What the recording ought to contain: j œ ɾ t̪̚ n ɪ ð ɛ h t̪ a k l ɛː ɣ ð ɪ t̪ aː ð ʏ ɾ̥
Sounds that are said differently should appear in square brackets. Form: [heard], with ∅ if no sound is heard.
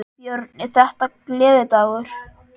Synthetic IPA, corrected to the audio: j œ ɾ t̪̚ n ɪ [θ] ɛ h t̪ a k l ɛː [∅] ð ɪ t̪ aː [ɣ] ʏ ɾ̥